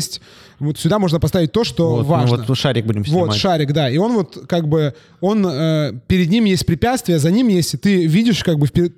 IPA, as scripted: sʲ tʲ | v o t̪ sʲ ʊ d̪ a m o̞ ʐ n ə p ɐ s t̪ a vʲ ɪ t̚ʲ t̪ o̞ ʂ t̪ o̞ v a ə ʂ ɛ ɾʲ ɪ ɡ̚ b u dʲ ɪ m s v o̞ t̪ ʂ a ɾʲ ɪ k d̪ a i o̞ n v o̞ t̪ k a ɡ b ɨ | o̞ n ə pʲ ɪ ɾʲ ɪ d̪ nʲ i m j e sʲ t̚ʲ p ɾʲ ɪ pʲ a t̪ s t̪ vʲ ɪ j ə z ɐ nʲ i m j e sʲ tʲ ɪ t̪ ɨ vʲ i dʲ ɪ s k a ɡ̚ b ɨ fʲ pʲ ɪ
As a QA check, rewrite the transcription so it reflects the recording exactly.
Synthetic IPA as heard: sʲ tʲ | v o t̪ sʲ ʊ d̪ a m o̞ ʐ n ə p ɐ s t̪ a vʲ ɪ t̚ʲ t̪ o̞ ʂ t̪ o̞ v a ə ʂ a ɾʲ ɪ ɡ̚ b u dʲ ɪ m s v o̞ t̪ ʂ a ɾʲ ɪ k d̪ a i o̞ n v o̞ t̪ k a ɡ b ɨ | o̞ n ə pʲ ɪ ɾʲ ɪ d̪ nʲ i m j e sʲ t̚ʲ p ɾʲ ɪ pʲ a t̪ s t̪ vʲ ɪ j ə z ɐ nʲ i m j e sʲ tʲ ɪ t̪ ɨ vʲ i dʲ ɪ ʂ k a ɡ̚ b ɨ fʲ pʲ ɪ